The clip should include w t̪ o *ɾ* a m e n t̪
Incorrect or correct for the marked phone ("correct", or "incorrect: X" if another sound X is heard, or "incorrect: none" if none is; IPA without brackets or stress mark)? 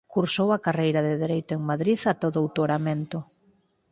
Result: correct